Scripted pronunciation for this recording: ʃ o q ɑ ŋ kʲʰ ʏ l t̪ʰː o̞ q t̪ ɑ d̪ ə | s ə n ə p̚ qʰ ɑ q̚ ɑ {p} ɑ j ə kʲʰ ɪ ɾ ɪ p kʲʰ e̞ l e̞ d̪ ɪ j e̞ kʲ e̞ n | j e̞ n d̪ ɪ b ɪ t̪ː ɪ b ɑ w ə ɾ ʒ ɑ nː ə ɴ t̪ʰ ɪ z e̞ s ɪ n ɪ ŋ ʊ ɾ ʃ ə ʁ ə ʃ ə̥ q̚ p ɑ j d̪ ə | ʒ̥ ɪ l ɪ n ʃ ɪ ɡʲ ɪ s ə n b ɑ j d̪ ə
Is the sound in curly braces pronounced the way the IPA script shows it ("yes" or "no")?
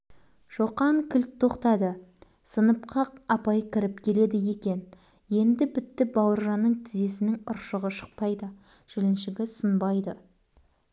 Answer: yes